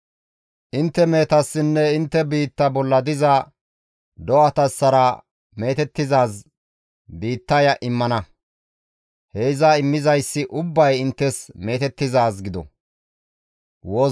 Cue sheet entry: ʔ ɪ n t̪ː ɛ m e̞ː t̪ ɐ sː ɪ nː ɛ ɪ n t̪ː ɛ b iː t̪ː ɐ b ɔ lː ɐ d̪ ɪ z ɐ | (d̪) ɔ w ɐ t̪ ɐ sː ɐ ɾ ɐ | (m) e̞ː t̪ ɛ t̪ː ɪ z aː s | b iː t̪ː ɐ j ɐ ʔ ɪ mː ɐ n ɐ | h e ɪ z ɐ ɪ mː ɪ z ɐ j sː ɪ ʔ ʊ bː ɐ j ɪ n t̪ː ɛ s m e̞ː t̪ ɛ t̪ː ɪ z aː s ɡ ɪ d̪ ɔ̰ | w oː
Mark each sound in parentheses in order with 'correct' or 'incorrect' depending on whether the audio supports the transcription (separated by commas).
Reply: correct, correct